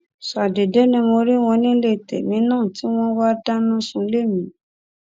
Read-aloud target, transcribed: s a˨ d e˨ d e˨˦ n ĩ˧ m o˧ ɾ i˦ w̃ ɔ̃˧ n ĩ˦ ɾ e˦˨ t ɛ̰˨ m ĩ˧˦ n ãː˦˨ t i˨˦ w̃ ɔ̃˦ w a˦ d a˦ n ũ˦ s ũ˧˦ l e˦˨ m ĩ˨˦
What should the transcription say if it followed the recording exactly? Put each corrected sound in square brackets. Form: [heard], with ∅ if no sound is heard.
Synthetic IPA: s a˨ d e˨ d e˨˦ n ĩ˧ m o˧ ɾ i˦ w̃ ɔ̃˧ n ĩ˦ [l] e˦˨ t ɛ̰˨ m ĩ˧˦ n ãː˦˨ t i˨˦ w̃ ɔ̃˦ w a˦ d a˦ n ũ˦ s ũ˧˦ l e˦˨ m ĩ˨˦